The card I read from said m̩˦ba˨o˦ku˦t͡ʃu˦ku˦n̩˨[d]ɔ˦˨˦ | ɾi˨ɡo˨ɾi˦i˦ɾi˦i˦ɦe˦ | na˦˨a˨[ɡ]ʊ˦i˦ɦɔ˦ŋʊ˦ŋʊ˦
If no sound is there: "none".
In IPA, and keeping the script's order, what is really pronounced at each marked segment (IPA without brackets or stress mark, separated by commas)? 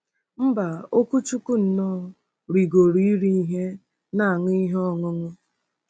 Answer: n, ŋ